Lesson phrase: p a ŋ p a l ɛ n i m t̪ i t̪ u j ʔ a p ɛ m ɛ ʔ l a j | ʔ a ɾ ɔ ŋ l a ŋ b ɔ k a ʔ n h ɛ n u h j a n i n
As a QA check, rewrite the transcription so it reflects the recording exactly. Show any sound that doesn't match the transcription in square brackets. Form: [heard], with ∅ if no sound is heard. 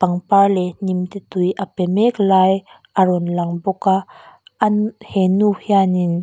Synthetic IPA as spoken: p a ŋ p a l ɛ n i m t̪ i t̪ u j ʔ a p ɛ m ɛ [k] l a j | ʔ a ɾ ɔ [n] l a ŋ b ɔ k a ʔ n h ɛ n u h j a n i n